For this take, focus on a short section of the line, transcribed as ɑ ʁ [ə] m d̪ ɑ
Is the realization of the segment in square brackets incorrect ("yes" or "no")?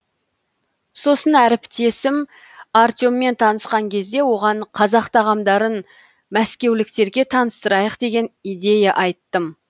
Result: yes